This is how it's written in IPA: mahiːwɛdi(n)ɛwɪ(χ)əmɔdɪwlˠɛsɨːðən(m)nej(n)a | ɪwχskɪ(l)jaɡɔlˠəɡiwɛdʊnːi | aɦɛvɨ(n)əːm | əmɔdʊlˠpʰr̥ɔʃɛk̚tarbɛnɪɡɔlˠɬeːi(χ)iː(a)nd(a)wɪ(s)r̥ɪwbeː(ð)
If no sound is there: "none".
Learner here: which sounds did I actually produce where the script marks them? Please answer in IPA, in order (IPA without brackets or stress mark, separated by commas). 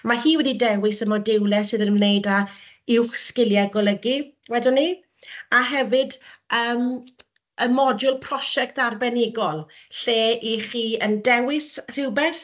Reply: d, s, m, d, l, d, χ, ə, ɛ, s, θ